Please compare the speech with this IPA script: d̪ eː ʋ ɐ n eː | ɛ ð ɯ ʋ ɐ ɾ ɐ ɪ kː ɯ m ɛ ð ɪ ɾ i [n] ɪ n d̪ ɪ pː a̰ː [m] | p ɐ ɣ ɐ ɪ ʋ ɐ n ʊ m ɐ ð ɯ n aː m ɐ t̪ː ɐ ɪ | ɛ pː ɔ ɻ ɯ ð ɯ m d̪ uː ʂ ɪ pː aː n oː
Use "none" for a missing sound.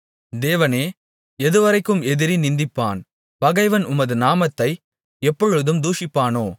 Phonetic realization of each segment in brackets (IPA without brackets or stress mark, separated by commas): n, n